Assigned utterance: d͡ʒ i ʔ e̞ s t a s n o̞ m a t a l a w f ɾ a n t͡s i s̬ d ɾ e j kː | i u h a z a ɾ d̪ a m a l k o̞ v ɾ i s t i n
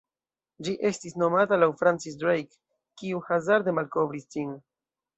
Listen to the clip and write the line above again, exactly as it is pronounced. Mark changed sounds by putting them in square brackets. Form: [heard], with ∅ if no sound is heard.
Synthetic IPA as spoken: d͡ʒ i ʔ e̞ s t [i] s n o̞ m a t a l a w f ɾ a n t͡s i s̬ d ɾ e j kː | i u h a z a ɾ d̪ [e] m a l k o̞ v ɾ i s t i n